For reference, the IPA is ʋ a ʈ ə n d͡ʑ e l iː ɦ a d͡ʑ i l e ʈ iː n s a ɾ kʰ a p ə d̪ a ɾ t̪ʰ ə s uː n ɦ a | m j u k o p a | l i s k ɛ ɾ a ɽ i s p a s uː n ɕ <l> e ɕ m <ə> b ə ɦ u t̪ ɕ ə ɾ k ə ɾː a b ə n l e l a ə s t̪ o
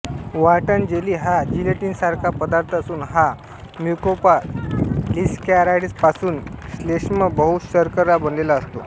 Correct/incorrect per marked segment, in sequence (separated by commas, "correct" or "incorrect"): correct, correct